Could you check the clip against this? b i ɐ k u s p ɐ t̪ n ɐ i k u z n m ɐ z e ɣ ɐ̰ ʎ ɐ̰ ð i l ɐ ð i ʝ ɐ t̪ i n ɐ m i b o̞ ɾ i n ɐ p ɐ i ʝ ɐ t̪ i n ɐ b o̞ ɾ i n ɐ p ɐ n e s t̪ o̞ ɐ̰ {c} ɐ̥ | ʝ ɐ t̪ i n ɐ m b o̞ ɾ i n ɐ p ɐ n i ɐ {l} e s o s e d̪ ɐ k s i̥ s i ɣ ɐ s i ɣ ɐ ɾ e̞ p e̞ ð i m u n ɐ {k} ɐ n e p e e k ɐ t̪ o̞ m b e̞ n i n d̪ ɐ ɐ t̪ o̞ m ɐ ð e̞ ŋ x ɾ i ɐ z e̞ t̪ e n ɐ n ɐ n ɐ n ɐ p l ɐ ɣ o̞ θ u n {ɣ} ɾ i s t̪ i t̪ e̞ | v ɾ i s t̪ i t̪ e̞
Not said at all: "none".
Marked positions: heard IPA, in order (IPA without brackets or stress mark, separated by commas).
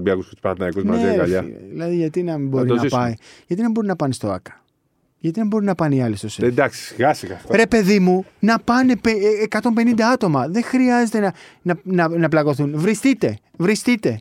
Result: k, l, p, v